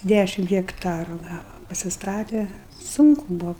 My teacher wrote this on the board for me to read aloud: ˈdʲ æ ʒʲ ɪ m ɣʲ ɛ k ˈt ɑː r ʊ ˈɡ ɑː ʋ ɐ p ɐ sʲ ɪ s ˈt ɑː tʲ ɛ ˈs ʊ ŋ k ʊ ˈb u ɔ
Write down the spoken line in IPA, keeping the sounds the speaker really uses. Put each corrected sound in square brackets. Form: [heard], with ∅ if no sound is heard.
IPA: ˈdʲ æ [ʃʲ] ɪ m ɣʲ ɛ k ˈt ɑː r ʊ ˈɡ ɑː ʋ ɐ p ɐ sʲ ɪ s ˈt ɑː tʲ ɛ ˈs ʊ ŋ k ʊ ˈb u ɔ